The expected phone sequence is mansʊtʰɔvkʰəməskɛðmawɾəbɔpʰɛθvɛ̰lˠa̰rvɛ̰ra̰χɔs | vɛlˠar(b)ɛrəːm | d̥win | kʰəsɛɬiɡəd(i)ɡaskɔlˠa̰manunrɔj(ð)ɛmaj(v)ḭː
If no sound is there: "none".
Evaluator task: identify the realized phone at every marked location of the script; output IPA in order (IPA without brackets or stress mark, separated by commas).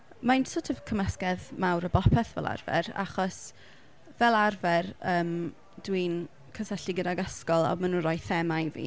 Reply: v, a, θ, v